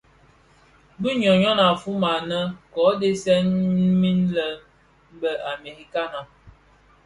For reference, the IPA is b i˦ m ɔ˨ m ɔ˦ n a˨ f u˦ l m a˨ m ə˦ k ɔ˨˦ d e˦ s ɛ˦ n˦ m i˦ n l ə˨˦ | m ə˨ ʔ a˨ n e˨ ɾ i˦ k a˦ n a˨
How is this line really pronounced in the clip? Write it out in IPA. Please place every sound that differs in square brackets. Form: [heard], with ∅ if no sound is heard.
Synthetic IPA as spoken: b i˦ [ɲ] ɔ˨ [ɲ] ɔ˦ n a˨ f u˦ [∅] m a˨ [n] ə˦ k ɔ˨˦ d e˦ s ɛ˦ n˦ m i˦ n l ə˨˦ | [b] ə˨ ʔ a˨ [m] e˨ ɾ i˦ k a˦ n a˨